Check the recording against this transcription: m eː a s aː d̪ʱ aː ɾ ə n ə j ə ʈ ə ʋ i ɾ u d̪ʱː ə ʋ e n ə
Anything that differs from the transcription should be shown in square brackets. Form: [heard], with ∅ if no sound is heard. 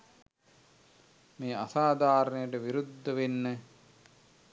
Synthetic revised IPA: m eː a s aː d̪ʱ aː ɾ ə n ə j ə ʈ ə ʋ i ɾ u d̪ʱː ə ʋ e [nː] ə